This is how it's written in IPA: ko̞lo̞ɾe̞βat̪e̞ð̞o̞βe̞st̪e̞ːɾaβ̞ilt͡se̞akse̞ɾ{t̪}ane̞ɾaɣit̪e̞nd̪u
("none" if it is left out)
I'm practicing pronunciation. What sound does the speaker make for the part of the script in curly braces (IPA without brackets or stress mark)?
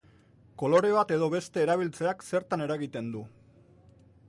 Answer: t̪